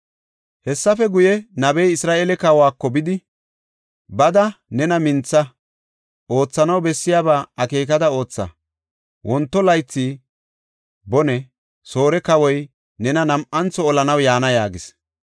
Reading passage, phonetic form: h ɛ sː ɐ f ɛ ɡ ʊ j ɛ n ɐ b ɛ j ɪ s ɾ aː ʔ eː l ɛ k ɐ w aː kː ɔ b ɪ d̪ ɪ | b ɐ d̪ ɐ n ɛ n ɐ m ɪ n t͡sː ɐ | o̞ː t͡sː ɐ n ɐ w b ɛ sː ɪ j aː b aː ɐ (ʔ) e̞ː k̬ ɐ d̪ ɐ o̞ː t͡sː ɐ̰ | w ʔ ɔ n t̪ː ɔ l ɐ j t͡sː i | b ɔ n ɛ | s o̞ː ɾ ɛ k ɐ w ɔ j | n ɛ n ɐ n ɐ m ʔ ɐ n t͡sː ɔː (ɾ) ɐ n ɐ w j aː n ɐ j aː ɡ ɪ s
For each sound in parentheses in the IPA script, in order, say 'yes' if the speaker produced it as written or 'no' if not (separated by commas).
no, no